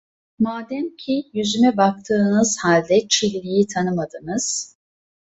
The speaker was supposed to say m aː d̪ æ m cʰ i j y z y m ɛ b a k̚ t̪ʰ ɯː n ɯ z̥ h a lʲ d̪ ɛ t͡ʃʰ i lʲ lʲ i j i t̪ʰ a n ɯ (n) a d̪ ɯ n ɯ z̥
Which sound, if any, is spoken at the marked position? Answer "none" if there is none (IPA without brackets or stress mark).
m